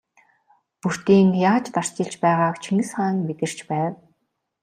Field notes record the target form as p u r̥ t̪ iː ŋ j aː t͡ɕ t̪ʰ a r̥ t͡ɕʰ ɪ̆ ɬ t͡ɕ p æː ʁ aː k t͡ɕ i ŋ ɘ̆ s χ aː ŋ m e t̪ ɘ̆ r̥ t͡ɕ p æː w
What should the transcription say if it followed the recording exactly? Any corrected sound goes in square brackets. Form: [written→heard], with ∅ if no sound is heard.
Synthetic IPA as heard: p u r̥ t̪ iː ŋ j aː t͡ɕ [t̪ʰ→t̪] a r̥ [t͡ɕʰ→t͡ɕ] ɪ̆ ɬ t͡ɕ p æː ʁ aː k [t͡ɕ→t͡ɕʰ] i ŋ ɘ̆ s χ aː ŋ m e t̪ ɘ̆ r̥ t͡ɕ p æː w